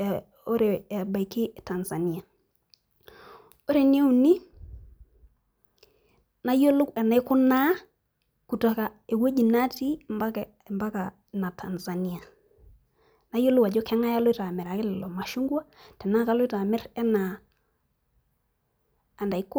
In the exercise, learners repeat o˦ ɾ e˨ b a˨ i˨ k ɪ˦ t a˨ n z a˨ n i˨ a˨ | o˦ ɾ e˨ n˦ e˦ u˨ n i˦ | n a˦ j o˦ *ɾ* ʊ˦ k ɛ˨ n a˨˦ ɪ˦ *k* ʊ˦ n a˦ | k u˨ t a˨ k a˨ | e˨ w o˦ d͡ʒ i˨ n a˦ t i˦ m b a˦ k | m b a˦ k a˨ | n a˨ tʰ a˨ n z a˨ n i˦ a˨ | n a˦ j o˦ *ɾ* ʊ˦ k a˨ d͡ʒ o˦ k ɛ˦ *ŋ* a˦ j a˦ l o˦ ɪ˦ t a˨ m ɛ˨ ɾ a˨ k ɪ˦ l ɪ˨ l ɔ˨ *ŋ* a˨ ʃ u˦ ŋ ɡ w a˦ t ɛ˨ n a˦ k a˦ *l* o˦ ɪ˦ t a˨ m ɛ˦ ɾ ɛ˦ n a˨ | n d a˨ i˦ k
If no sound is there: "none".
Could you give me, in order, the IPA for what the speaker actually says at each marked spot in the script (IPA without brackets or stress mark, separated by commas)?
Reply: l, k, l, ŋ, m, l